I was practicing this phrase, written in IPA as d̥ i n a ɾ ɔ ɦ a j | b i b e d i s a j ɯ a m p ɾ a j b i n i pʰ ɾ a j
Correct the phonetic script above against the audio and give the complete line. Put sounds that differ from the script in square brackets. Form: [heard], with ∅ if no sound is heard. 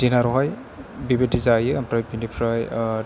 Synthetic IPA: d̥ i n a ɾ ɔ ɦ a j | b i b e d i [z] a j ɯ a m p ɾ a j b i n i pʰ ɾ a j